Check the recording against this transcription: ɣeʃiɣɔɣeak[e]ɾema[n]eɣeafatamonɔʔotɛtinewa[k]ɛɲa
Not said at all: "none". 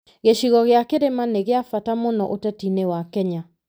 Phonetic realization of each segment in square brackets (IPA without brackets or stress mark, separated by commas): e, n, k